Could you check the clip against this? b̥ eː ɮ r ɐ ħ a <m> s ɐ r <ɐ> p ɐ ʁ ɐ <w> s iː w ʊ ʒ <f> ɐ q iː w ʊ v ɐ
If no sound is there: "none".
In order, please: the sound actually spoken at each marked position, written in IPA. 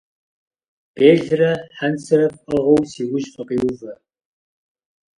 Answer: n, ɐ, w, f

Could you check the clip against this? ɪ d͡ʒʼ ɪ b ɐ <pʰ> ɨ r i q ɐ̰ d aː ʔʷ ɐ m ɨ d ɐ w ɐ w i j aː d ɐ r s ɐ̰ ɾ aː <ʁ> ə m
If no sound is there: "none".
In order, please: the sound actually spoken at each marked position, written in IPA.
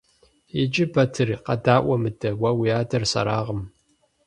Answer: tʰ, ʁ

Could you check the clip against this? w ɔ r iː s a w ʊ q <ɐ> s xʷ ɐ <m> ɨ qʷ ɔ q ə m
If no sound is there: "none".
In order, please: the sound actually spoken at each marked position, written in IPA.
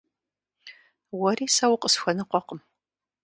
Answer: ə, n

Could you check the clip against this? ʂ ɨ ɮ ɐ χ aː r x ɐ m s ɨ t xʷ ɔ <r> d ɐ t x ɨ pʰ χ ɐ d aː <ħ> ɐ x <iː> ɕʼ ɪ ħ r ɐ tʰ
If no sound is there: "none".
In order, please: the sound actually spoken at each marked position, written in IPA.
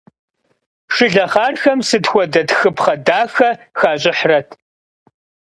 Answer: none, x, aː

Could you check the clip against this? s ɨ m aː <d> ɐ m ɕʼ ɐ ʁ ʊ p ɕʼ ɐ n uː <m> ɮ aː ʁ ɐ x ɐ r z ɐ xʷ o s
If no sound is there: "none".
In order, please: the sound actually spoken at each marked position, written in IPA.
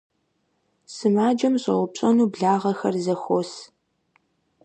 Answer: d͡ʒ, b

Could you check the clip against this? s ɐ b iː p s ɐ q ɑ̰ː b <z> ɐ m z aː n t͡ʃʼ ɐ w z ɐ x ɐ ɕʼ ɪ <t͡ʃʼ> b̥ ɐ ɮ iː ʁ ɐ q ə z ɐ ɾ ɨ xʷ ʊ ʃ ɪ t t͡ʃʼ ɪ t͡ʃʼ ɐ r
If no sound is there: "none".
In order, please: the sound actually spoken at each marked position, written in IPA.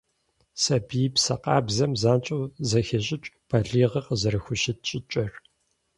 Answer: z, t͡ʃʼ

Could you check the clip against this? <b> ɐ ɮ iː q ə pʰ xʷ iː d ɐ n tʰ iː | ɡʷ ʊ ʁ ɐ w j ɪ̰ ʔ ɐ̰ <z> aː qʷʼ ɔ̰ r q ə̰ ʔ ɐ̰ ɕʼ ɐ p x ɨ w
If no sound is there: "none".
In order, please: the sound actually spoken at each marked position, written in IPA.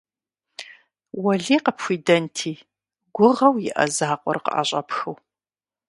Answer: w, z

